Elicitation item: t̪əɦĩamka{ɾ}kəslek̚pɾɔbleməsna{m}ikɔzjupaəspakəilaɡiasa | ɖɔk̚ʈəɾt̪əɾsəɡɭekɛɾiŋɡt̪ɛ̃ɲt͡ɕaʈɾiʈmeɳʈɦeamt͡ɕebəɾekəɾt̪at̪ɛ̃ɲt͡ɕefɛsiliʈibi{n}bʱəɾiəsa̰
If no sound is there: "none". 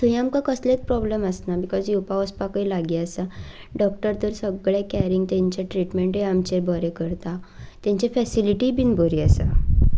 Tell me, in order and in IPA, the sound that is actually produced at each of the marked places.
none, b, n

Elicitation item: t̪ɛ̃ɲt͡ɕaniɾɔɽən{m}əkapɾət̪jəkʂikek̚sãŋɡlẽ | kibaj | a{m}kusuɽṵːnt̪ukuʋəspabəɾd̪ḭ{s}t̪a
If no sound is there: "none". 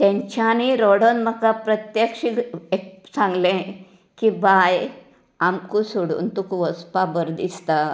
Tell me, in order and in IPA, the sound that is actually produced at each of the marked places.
m, m, s

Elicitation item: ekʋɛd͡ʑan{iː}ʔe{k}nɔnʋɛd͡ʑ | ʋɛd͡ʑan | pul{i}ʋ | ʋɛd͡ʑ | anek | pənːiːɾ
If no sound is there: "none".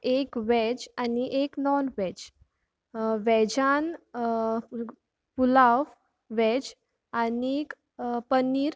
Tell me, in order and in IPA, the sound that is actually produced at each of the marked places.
i, k, a

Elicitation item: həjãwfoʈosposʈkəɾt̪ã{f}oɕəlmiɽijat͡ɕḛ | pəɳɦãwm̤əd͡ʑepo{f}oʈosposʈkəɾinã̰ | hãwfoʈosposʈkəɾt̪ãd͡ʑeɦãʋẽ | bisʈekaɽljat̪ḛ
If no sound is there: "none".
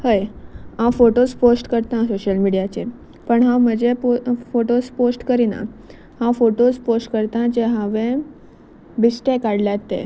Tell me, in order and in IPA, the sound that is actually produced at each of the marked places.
s, f

